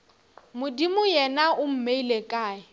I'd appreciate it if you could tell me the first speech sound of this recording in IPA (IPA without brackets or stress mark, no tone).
m